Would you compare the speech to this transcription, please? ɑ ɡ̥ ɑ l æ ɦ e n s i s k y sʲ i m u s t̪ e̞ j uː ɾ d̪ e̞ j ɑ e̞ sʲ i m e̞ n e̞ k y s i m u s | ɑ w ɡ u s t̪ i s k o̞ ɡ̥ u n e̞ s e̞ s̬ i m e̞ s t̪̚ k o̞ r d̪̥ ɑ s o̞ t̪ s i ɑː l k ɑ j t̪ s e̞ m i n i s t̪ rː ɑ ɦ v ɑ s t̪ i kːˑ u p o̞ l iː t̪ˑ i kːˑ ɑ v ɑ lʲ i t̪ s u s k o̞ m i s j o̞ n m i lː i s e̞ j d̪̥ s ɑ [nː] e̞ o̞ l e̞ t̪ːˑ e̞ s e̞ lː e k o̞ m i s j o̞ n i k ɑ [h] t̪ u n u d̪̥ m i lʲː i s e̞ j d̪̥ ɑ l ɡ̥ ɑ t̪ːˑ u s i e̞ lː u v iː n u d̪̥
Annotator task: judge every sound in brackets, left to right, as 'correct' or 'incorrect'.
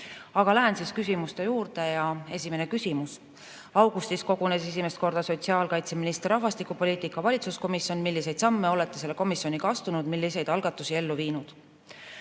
incorrect, incorrect

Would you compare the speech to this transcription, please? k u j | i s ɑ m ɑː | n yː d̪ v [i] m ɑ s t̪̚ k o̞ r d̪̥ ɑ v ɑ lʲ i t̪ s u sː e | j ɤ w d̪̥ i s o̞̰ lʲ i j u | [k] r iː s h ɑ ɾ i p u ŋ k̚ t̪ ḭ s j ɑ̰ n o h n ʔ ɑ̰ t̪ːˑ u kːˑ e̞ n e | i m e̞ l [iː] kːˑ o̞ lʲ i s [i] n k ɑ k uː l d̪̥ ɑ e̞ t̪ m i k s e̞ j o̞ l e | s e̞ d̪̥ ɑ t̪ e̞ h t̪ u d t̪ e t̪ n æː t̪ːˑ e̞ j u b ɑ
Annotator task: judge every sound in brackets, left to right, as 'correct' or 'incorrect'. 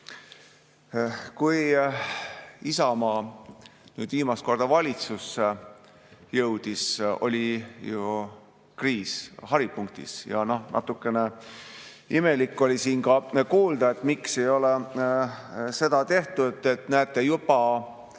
incorrect, correct, incorrect, incorrect

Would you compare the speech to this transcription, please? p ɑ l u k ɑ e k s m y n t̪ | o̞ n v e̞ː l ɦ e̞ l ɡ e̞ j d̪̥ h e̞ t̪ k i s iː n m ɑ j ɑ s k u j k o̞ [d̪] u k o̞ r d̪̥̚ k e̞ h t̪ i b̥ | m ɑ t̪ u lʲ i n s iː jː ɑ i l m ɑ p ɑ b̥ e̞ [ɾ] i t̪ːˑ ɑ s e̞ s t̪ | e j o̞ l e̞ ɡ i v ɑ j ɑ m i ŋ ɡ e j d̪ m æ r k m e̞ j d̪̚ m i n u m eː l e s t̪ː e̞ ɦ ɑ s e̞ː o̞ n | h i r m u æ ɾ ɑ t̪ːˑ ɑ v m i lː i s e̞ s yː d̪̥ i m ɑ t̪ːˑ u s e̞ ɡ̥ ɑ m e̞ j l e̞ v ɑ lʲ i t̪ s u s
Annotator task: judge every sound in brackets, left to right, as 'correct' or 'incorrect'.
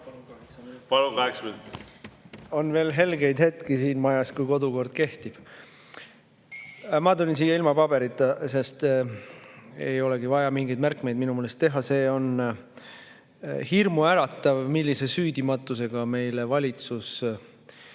correct, correct

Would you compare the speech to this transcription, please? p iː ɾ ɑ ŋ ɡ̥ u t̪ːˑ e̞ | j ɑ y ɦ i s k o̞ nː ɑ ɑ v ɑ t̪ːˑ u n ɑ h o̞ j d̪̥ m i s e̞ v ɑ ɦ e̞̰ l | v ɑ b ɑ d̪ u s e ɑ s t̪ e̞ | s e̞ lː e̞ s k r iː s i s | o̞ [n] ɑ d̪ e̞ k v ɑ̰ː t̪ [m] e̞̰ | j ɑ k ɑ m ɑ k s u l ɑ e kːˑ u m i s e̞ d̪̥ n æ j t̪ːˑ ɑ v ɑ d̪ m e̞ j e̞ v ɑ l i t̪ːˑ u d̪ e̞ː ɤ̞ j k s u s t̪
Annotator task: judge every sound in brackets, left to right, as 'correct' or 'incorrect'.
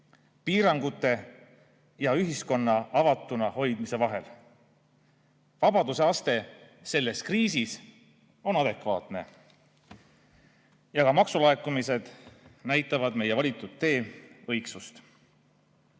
correct, incorrect

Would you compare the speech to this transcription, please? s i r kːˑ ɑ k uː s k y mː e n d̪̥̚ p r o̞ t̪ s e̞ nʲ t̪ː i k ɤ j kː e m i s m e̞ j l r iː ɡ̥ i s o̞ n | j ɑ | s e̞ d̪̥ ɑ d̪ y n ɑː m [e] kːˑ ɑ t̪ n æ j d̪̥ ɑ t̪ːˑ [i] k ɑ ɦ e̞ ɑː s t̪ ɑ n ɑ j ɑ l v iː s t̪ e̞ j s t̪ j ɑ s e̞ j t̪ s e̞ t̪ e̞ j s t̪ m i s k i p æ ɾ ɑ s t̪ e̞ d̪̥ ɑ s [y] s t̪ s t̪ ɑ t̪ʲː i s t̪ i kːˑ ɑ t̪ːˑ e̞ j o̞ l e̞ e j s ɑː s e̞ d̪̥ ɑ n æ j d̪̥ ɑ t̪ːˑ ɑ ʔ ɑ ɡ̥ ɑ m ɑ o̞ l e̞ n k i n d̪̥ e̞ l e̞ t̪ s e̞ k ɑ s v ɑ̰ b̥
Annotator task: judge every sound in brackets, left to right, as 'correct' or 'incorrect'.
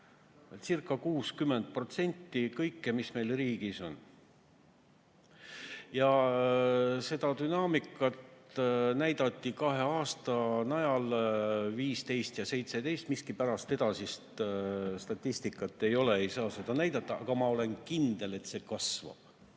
incorrect, correct, incorrect

